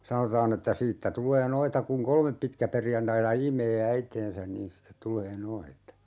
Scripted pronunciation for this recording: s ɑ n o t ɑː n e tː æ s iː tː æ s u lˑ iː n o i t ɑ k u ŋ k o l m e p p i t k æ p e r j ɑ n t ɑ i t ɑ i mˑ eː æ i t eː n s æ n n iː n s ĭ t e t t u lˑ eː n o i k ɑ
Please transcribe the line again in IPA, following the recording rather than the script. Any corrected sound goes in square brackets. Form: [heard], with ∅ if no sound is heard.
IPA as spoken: s ɑ n o t ɑː n e tː æ s iː tː æ [t] u lˑ [eː] n o i t ɑ k u ŋ k o l m e p p i t k æ p e r j ɑ n t ɑ i t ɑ i mˑ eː æ i t eː n s æ n n iː n s ĭ t e t t u lˑ eː n o i [t] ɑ